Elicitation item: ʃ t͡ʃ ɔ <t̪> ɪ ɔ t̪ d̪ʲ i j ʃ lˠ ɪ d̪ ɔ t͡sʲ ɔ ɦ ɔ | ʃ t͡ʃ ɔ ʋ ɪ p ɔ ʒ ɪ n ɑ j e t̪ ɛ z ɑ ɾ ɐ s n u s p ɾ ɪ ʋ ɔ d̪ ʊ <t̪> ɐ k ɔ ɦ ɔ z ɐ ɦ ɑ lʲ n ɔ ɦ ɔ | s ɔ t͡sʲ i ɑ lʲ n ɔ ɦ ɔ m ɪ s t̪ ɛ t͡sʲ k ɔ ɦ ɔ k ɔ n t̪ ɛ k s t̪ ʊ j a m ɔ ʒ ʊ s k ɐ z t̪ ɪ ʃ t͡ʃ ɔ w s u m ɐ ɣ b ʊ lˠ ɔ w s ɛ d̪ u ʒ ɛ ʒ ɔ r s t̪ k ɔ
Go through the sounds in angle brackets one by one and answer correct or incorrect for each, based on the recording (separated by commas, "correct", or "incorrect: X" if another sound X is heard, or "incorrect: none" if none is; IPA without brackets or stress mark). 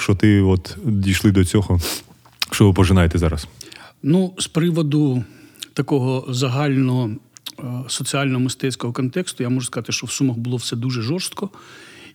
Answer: correct, correct